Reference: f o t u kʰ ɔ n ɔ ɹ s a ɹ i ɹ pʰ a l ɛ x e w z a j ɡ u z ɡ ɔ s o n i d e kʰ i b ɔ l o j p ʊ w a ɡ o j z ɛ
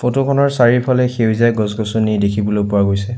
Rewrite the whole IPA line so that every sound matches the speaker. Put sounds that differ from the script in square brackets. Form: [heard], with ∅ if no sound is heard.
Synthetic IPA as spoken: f o t [o] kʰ ɔ n ɔ ɹ s a ɹ i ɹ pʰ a l ɛ x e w z a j ɡ [ɔ] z ɡ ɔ s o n i d e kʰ i b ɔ l o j p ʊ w a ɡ o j [s] ɛ

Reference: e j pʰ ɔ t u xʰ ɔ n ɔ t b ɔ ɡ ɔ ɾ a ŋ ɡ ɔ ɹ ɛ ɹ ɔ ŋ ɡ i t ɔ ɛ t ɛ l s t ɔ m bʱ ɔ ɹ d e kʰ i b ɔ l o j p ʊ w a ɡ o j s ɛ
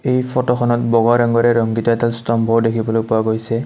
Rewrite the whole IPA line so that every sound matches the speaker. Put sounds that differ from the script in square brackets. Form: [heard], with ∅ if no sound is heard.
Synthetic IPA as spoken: e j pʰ ɔ t [ɔ] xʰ ɔ n ɔ t b ɔ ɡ ɔ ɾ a ŋ ɡ ɔ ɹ ɛ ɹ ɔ ŋ ɡ i t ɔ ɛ t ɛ l s t ɔ m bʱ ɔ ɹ d e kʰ i b ɔ l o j p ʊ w a ɡ o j s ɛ

